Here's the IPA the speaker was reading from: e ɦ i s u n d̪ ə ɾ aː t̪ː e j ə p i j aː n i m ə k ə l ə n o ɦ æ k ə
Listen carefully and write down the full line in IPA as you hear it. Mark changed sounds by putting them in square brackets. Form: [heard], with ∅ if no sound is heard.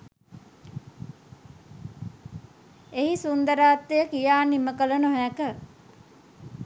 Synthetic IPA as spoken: e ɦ i s u n d̪ ə ɾ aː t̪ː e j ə [k] i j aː n i m ə k ə l ə n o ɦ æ k ə